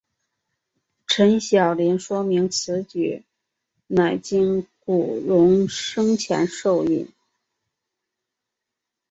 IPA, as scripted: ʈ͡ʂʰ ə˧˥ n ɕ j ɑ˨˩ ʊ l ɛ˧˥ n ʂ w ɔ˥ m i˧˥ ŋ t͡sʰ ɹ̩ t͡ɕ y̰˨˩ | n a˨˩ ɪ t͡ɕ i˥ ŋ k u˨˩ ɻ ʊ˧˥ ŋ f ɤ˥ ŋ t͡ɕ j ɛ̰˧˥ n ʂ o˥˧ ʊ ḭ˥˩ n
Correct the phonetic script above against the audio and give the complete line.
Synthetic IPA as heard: ʈ͡ʂʰ ə˧˥ n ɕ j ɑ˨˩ ʊ l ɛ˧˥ n ʂ w ɔ˥ m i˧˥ ŋ t͡sʰ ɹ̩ t͡ɕ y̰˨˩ | n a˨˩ ɪ t͡ɕ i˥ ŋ k u˨˩ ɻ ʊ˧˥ ŋ ʂ ɤ˥ ŋ t͡ɕʰ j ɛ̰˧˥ n ʂ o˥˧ ʊ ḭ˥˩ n